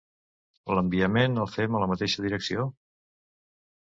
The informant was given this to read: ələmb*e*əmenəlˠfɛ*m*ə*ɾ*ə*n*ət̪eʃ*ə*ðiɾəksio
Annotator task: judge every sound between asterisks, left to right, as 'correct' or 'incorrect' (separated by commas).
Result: incorrect, correct, incorrect, incorrect, correct